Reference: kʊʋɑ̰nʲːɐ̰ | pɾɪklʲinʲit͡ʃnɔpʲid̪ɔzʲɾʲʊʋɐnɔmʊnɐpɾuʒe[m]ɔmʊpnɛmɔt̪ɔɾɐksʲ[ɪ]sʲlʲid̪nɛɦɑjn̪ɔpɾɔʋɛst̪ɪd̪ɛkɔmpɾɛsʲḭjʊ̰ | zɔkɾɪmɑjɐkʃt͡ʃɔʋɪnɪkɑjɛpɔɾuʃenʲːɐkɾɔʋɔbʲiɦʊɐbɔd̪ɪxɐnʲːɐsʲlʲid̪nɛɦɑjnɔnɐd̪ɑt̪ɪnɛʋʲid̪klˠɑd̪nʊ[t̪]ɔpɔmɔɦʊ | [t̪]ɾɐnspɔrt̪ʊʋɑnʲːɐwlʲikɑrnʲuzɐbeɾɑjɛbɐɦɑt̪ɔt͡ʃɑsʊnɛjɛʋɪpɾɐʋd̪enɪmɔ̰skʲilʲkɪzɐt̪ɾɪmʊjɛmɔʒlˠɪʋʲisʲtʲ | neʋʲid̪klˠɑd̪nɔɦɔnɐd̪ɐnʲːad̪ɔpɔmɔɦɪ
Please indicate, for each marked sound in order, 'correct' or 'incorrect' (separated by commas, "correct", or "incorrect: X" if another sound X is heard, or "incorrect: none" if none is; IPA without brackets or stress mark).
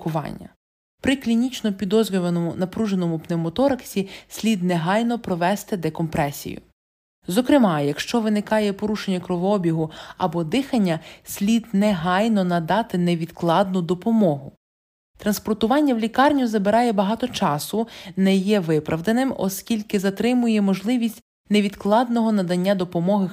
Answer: incorrect: n, incorrect: i, incorrect: d̪, correct